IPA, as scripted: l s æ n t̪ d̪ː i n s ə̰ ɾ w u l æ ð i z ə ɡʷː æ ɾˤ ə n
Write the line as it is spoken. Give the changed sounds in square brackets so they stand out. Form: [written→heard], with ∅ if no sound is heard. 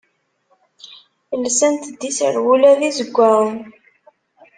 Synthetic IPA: l s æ n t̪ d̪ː i [n→∅] s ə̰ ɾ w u l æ ð i z ə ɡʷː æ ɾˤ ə n